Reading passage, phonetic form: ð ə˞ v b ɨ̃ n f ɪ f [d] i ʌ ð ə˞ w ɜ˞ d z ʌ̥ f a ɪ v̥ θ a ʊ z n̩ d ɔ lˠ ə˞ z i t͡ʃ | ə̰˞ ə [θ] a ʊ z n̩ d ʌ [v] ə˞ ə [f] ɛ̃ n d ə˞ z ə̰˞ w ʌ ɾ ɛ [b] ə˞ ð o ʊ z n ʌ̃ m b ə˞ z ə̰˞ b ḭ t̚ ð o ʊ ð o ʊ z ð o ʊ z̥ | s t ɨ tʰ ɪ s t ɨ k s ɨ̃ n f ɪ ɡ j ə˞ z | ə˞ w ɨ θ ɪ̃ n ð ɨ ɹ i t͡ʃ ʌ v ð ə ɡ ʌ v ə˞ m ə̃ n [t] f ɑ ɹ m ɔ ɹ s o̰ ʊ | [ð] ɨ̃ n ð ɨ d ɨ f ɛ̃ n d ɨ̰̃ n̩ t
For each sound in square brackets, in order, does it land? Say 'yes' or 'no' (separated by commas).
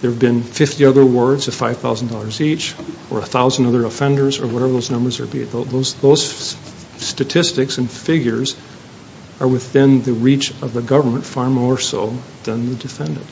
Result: no, yes, no, yes, no, yes, yes